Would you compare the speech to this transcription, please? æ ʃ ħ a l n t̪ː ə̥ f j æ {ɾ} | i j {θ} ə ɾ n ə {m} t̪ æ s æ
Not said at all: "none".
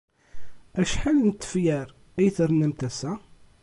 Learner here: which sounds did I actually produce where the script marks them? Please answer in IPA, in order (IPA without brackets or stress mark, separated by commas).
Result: ɾ, θ, m